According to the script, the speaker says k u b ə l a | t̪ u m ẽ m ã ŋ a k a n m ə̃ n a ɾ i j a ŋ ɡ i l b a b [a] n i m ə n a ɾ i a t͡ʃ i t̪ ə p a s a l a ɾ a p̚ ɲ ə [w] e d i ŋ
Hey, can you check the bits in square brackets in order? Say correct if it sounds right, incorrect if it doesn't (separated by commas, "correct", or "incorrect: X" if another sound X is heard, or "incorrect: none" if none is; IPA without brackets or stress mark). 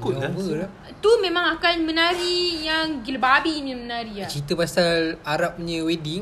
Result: incorrect: i, correct